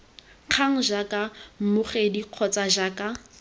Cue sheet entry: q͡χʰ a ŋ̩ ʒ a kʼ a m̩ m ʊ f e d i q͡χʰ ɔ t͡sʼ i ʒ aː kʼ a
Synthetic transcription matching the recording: q͡χʰ a ŋ̩ ʒ a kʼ a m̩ m ʊ χ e d i q͡χʰ ɔ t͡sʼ a ʒ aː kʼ a